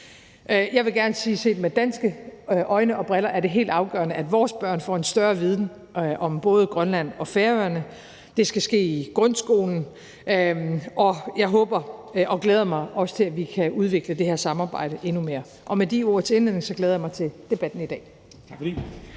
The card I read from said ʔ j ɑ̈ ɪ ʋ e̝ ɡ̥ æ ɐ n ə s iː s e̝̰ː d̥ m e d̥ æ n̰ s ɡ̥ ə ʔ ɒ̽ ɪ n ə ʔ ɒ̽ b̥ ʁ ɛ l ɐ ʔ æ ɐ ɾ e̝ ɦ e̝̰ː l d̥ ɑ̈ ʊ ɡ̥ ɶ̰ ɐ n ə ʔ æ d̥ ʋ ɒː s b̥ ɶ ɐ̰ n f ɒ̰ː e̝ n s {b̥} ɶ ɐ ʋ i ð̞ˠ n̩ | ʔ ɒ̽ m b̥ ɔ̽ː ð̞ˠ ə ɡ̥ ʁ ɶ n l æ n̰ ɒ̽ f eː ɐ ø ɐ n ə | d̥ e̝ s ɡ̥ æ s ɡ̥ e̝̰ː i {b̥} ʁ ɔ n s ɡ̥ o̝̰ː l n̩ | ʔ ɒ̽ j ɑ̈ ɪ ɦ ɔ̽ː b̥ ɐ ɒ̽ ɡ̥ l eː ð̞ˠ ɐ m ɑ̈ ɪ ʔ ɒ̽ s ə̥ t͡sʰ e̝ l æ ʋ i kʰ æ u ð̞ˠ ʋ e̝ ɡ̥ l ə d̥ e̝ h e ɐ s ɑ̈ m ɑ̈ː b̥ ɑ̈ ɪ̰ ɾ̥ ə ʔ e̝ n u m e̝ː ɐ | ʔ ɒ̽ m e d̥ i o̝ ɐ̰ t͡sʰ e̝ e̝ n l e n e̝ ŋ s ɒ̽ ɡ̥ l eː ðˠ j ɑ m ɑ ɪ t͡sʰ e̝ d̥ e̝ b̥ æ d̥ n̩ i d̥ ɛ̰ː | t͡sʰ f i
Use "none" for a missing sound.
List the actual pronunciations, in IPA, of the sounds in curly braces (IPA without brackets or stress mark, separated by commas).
d̥, ɡ̥